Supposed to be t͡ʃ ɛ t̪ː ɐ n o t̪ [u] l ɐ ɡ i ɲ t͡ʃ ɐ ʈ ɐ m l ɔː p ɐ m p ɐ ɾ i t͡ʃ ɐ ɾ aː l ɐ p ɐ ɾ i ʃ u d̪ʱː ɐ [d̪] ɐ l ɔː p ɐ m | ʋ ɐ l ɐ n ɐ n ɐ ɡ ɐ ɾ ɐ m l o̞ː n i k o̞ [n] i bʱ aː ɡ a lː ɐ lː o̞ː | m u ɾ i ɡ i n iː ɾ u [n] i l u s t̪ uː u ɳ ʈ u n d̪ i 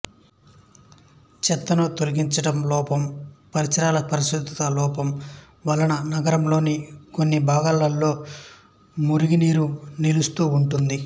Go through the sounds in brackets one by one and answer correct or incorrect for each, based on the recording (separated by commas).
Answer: incorrect, incorrect, incorrect, correct